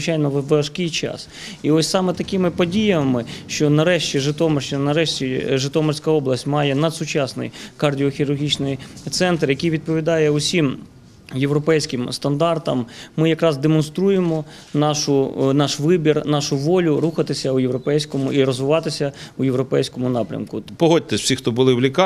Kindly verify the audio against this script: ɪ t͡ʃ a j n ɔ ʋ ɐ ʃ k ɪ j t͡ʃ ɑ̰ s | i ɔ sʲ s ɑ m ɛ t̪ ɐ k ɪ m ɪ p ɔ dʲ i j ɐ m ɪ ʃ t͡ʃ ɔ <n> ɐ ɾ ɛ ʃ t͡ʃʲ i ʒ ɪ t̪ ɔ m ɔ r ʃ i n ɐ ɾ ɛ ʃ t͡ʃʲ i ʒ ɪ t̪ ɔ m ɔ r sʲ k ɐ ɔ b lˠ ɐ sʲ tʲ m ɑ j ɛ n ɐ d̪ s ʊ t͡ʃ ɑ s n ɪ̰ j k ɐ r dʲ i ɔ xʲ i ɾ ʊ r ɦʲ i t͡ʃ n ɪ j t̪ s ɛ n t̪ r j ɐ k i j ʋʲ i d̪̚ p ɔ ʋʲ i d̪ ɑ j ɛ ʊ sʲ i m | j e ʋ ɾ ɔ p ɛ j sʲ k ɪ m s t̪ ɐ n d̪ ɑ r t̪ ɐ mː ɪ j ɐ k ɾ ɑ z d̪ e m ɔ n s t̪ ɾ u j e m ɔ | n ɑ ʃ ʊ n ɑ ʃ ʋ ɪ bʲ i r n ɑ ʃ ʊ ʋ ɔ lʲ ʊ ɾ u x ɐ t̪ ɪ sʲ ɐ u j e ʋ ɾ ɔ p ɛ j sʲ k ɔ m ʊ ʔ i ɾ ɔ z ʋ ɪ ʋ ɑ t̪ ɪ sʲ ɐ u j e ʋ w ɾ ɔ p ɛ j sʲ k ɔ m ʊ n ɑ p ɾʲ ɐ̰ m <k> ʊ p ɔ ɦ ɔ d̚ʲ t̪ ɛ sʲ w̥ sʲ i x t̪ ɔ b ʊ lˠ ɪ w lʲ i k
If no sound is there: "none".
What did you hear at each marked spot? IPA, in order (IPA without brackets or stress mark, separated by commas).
n, k